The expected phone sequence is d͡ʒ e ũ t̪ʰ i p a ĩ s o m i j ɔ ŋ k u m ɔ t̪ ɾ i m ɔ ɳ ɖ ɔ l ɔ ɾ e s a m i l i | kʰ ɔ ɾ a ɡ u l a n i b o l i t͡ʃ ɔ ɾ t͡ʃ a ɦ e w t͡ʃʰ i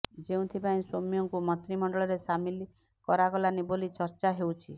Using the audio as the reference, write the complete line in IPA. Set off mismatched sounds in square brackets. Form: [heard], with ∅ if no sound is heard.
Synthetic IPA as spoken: d͡ʒ e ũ t̪ʰ i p a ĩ s o m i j ɔ ŋ k u m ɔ t̪ ɾ i m ɔ ɳ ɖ ɔ [ɭ] ɔ ɾ e s a m i l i | [k] ɔ ɾ a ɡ [ɔ] l a n i b o l i t͡ʃ ɔ ɾ t͡ʃ a ɦ e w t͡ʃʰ i